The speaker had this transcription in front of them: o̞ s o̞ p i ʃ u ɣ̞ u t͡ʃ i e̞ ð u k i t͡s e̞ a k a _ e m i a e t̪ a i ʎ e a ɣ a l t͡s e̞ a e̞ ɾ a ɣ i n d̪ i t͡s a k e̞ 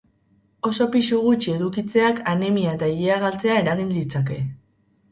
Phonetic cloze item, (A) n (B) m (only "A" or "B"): A